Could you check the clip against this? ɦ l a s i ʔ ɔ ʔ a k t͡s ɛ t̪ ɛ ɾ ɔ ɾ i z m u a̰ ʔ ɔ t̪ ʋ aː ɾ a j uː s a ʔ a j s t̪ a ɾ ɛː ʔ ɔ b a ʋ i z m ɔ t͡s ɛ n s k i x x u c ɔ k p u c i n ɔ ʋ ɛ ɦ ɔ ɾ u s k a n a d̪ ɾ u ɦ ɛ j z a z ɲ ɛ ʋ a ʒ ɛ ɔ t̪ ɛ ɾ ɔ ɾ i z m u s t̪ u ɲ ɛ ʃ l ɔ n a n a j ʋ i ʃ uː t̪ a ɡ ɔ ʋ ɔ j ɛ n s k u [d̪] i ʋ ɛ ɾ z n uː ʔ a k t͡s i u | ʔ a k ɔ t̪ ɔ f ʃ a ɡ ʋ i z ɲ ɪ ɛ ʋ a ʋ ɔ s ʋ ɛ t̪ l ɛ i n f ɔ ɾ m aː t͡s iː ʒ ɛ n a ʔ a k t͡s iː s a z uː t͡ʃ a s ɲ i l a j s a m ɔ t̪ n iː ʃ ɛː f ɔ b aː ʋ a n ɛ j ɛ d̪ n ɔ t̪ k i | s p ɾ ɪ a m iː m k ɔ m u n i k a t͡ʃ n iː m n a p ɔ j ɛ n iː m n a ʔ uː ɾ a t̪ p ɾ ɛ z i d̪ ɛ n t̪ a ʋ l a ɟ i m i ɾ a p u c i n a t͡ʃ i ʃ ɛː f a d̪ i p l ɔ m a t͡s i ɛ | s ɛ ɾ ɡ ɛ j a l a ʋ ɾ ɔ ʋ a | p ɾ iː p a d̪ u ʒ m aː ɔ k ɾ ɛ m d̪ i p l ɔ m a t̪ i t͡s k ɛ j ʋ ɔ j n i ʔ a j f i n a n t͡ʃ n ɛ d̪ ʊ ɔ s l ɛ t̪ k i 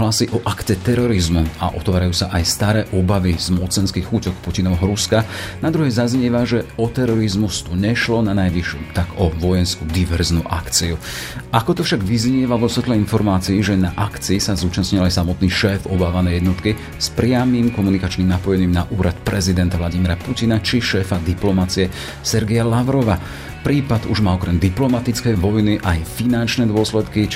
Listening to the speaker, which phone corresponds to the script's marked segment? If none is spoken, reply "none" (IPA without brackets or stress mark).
d̪